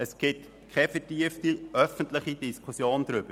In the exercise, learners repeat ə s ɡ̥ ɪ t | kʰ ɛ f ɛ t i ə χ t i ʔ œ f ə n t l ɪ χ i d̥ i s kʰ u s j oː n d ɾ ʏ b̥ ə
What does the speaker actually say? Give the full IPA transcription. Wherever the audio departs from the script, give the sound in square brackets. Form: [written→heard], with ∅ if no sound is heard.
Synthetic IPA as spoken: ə s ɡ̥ ɪ t | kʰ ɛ f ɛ t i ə [χ→f] t i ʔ œ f ə n t l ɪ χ i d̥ i s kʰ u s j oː n d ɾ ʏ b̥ ə